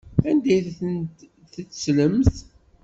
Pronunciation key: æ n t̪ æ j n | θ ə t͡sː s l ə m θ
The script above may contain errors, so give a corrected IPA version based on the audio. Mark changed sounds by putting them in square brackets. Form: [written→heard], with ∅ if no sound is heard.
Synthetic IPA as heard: æ n [t̪→d̪] æ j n | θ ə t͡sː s l ə m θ